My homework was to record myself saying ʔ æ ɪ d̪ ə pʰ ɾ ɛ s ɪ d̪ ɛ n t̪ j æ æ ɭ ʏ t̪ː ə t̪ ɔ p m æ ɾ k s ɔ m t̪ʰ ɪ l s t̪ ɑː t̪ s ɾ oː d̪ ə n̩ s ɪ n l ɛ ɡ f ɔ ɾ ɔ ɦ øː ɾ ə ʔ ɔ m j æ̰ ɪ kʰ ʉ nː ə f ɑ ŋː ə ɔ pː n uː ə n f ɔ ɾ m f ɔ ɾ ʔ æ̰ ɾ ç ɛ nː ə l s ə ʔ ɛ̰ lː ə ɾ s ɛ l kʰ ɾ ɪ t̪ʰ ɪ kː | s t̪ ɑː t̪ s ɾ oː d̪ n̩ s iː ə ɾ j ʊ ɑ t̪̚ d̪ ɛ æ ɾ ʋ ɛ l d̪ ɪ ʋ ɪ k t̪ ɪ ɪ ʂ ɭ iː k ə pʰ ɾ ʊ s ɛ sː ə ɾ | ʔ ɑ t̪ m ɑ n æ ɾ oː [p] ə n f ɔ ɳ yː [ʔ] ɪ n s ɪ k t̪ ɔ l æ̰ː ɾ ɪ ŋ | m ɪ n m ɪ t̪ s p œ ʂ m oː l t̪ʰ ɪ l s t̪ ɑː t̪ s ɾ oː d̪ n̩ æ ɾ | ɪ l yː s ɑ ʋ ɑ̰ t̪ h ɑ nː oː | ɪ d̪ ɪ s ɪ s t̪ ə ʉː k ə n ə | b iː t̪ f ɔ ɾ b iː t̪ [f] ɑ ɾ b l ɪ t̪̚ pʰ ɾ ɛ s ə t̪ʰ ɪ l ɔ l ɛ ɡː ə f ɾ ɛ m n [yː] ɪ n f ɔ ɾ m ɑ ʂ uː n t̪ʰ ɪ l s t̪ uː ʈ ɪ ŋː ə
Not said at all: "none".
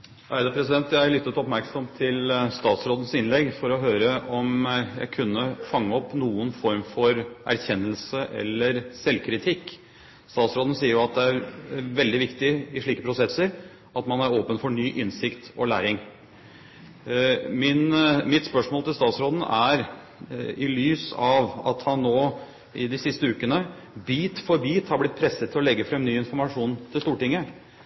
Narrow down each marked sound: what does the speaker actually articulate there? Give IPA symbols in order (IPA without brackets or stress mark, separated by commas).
p, ʔ, h, yː